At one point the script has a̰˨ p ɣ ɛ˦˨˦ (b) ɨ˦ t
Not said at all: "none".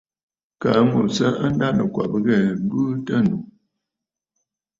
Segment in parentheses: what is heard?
b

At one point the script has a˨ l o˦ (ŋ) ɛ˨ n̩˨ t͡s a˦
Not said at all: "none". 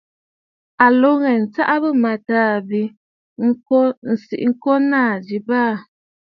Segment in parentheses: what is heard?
ŋ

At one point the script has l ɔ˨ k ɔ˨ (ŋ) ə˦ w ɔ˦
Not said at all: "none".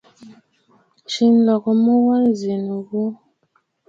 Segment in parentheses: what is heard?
m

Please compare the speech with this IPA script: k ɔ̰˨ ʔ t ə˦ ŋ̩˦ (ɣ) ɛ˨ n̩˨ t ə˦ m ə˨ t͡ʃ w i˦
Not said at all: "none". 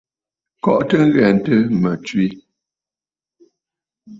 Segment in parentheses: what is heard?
ɣ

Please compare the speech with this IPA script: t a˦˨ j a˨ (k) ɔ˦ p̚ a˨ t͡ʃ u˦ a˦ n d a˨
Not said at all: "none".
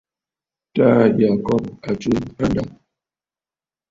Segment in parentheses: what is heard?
k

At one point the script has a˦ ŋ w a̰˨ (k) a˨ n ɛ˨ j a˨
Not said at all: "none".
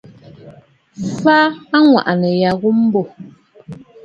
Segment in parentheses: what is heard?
ʔ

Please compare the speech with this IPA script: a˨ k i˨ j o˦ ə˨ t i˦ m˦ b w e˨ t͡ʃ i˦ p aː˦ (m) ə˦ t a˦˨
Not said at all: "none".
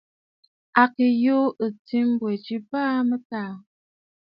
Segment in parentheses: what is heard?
m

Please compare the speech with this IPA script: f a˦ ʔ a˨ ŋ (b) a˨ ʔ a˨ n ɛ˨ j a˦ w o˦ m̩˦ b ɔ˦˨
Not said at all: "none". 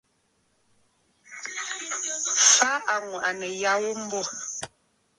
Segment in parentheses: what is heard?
w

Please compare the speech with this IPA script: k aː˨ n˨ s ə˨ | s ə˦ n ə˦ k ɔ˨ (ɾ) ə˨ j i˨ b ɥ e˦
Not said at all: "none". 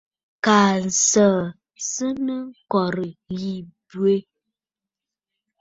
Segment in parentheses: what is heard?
ɾ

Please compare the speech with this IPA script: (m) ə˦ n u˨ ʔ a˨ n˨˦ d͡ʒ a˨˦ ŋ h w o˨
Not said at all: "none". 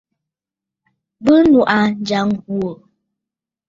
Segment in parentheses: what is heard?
b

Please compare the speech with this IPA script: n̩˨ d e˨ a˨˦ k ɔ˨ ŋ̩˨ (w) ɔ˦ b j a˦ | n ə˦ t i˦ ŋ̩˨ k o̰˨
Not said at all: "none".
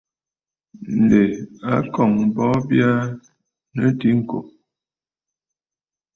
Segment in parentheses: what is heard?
b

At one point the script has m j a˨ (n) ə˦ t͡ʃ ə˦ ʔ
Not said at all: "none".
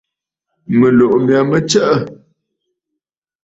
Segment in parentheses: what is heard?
m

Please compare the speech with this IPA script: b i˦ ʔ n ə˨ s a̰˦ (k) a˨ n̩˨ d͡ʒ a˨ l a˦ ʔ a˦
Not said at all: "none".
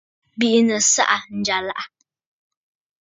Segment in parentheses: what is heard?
ʔ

